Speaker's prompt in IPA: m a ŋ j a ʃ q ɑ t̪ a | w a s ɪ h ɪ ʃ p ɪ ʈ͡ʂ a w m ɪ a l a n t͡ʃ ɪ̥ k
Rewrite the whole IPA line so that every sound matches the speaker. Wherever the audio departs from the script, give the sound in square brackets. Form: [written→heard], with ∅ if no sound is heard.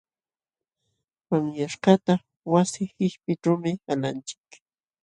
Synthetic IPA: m a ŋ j a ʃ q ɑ t̪ a | w a s ɪ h ɪ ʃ p ɪ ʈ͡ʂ a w m ɪ a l a n t͡ʃ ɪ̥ k